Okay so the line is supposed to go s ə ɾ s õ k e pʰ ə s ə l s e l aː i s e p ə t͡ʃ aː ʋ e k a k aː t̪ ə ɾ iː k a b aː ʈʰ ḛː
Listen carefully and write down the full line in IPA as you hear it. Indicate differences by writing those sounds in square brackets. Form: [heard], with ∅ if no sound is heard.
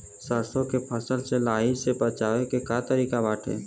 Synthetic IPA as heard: s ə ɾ s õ k e pʰ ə s ə l s e l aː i s e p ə t͡ʃ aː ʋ e k [e] k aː t̪ ə ɾ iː k a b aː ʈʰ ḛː